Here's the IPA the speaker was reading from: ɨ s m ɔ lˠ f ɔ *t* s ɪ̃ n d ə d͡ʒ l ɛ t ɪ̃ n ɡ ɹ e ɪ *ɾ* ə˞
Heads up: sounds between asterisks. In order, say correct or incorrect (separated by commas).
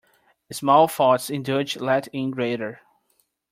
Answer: correct, correct